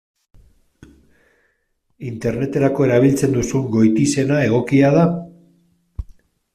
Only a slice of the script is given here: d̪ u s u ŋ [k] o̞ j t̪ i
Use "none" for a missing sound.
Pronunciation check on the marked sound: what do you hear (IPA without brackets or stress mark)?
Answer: ɡ